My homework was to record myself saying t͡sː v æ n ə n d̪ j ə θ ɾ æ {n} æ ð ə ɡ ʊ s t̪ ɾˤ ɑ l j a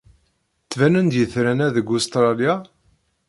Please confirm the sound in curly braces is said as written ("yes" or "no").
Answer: yes